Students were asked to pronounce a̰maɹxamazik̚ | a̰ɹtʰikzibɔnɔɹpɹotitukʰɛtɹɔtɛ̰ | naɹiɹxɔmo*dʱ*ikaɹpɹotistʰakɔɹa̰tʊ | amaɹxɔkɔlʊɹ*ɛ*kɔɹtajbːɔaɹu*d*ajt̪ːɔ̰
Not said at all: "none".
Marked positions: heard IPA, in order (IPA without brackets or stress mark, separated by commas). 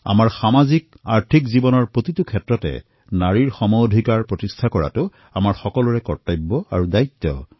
dʱ, ɛ, d